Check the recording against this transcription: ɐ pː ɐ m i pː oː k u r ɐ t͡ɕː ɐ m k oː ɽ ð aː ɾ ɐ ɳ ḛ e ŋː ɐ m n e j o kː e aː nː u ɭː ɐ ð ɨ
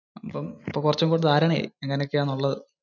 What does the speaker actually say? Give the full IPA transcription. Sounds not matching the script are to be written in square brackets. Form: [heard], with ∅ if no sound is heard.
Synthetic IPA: ɐ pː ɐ m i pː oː k u r ɐ t͡ɕː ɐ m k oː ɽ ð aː ɾ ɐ ɳ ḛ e ŋː ɐ [∅] n e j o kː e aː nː u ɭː ɐ ð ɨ

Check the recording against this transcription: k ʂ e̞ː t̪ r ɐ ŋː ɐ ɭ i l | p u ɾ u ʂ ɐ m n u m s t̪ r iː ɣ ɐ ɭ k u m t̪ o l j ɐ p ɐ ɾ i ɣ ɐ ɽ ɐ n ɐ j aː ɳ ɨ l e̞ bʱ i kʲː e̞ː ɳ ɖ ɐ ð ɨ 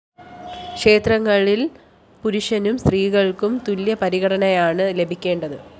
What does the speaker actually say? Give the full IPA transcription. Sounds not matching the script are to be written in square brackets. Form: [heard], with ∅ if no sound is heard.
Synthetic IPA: k ʂ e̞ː t̪ r ɐ ŋː ɐ ɭ i l | p u ɾ u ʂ ɐ [∅] n u m s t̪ r iː ɣ ɐ ɭ k u m t̪ [u] l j ɐ p ɐ ɾ i ɣ ɐ ɽ ɐ n ɐ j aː ɳ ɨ l e̞ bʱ i kʲː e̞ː ɳ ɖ ɐ ð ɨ

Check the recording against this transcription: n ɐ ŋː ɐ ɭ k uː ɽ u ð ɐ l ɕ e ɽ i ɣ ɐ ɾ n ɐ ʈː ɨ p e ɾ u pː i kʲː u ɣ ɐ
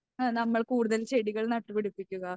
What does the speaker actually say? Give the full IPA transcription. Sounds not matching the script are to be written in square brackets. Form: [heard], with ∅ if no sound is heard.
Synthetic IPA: n ɐ [mː] ɐ ɭ k uː ɽ u ð ɐ l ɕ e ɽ i ɣ ɐ [ɭ] n ɐ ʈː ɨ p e [ɽ] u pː i kʲː u ɣ ɐ

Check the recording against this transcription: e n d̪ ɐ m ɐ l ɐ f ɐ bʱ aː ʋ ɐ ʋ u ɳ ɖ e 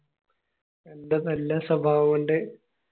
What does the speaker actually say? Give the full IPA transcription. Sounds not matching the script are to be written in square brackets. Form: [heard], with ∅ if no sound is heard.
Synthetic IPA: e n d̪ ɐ [n] ɐ [lː] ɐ [s] ɐ bʱ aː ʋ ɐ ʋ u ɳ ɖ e

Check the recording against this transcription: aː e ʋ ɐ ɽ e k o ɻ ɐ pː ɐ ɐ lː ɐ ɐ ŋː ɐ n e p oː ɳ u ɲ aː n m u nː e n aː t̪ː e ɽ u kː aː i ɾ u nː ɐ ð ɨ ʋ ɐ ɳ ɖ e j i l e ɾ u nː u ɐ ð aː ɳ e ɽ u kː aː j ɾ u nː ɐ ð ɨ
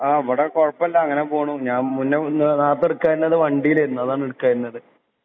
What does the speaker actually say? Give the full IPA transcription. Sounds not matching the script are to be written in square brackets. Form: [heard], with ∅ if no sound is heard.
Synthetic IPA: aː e ʋ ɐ ɽ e k o ɻ ɐ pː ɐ ɐ lː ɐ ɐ ŋː ɐ n e p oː ɳ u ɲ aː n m u nː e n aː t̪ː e ɽ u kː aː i ɾ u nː ɐ ð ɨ ʋ ɐ ɳ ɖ [i] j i l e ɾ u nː u ɐ ð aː ɳ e ɽ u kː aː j ɾ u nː ɐ ð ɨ

